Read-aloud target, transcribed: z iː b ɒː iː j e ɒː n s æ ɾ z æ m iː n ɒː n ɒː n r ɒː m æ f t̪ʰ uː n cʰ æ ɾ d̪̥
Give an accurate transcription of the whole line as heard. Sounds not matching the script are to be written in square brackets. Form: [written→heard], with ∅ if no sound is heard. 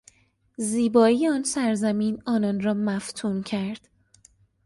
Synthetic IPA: z iː b ɒː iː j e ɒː n s æ ɾ z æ m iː n ɒː n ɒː n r ɒː m æ f t̪ʰ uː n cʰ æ ɾ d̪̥